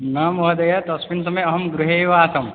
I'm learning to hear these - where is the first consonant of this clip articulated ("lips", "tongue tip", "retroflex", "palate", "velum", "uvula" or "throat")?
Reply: tongue tip